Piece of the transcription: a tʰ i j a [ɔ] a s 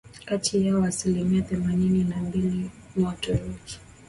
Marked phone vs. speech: correct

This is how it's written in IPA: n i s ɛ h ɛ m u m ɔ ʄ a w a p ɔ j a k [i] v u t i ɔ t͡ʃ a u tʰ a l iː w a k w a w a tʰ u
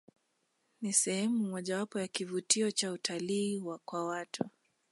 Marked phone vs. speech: correct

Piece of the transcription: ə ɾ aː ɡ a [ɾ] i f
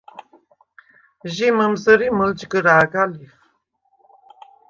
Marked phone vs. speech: incorrect: l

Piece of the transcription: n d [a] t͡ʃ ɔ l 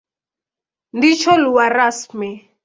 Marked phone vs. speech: incorrect: i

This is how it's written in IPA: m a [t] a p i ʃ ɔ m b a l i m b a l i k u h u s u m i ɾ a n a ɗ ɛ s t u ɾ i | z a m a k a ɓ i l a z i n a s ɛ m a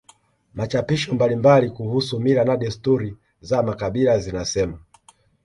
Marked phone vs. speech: incorrect: t͡ʃ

